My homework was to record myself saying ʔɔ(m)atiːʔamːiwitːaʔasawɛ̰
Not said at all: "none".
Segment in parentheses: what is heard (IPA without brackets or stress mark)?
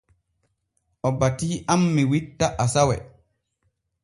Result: b